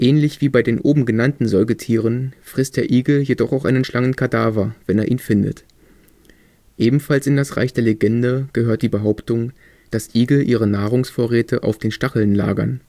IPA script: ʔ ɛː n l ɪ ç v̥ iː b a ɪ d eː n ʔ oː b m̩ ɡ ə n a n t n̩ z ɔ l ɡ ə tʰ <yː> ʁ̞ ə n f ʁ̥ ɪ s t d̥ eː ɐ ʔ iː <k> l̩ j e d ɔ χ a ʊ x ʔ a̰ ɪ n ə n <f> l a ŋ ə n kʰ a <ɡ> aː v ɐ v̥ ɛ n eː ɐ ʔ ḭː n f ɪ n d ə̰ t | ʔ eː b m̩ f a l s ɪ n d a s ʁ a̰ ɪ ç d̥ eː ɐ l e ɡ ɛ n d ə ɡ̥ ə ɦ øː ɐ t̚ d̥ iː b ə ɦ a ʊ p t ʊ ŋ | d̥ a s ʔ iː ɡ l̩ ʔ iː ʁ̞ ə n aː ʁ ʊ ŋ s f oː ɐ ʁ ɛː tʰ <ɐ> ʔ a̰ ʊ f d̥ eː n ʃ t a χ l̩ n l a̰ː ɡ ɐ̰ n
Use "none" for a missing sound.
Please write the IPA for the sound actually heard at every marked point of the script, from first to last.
iː, ɡ, ʃ, d, ə

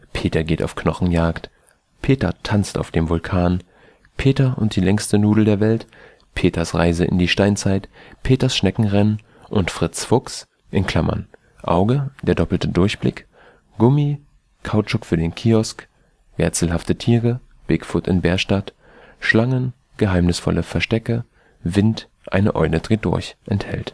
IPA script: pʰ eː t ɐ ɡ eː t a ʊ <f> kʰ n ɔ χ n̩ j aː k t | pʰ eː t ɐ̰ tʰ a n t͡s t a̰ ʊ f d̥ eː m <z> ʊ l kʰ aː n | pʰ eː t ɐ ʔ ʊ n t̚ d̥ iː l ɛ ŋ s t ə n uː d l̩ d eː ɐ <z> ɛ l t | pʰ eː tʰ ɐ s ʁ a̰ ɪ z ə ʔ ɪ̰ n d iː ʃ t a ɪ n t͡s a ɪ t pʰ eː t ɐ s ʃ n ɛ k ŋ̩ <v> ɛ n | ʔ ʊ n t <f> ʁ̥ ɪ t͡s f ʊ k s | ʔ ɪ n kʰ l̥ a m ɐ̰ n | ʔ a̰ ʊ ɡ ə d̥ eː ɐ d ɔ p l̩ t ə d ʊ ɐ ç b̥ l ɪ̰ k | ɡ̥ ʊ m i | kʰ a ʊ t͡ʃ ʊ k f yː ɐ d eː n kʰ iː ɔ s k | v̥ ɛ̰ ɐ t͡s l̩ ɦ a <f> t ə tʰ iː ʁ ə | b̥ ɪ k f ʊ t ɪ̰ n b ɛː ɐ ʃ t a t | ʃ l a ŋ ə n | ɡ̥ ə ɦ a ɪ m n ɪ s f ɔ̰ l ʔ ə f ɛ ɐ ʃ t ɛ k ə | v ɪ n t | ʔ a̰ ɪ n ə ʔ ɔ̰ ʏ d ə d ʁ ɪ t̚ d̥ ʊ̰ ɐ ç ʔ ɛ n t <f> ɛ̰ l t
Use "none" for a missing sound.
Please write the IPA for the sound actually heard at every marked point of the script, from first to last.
f, v, v, ʁ, f, f, h

